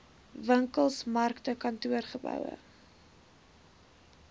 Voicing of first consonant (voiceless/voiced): voiced